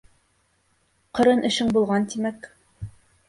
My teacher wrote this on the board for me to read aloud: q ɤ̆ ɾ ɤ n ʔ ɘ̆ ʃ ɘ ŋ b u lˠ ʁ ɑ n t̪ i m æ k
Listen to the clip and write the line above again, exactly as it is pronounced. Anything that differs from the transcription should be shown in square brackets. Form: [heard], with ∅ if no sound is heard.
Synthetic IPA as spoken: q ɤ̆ ɾ ɤ n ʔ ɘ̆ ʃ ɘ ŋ b u lˠ ʁ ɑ n t̪ i m æ k